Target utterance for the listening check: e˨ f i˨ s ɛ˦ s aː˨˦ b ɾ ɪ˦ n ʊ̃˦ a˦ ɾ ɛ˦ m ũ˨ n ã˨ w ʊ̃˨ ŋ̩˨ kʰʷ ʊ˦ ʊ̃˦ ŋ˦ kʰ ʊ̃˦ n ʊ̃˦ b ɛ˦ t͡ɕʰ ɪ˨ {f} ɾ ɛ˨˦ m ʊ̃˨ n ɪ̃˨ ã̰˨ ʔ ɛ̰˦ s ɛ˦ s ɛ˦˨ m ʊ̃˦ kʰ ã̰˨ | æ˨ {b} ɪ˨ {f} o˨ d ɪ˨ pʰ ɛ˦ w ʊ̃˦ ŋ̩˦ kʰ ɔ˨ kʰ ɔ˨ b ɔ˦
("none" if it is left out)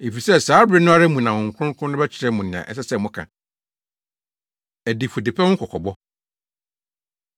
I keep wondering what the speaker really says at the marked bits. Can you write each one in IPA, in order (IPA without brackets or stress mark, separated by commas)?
none, d, f